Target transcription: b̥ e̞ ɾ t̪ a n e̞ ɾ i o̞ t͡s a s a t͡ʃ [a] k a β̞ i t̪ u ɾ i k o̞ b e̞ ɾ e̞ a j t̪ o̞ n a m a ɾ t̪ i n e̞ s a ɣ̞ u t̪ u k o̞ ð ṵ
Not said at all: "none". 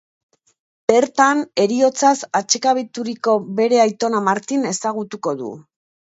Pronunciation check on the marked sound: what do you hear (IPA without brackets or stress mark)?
e